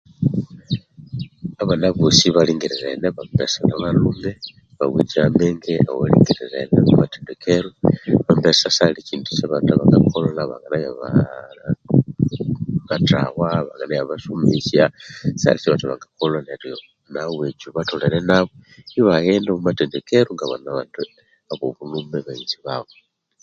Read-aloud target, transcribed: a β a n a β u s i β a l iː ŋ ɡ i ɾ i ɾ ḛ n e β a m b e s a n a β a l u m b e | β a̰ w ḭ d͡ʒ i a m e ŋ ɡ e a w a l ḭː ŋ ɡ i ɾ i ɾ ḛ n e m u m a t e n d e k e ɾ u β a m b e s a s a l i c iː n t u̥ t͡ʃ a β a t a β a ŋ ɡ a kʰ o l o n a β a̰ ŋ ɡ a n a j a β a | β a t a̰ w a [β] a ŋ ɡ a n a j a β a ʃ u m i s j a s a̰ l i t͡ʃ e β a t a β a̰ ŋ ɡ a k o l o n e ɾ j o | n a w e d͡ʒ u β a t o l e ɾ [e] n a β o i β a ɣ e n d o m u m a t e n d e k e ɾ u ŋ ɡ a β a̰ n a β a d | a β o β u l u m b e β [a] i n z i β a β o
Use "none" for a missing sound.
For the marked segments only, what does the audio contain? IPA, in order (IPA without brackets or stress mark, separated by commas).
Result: β, e, a